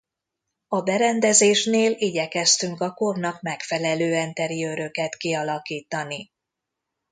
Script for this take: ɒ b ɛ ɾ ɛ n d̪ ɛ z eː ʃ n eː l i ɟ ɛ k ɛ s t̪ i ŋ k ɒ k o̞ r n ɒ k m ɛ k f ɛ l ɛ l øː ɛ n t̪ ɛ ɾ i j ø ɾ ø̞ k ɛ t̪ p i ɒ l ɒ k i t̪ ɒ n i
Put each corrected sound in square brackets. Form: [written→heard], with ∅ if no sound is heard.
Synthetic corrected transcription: ɒ b ɛ ɾ ɛ n d̪ ɛ z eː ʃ n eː l i ɟ ɛ k ɛ s t̪ [i→y] ŋ k ɒ k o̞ r n ɒ k m ɛ k f ɛ l ɛ l øː ɛ n t̪ ɛ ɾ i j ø ɾ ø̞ k ɛ t̪ [p→k] i ɒ l ɒ k [i→iː] t̪ ɒ n i